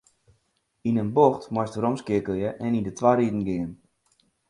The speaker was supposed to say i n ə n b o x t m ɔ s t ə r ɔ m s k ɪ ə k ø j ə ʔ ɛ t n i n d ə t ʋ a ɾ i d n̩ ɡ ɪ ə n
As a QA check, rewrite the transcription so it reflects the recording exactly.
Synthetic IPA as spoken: i n ə n b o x t m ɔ s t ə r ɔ m s k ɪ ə k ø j ə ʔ ɛ n i n d ə t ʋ a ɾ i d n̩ ɡ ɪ ə n